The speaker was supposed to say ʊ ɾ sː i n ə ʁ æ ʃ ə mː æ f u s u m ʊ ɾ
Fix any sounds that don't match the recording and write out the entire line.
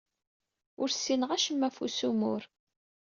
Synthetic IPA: ʊ ɾ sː i n ə ʁ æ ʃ ə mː æ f u s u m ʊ ɾ